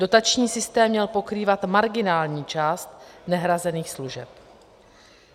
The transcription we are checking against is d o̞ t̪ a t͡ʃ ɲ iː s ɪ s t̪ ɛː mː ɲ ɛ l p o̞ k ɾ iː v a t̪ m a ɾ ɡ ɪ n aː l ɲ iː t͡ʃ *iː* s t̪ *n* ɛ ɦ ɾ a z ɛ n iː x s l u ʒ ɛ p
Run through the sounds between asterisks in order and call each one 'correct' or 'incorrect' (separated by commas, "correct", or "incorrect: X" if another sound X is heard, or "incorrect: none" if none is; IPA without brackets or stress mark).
incorrect: aː, correct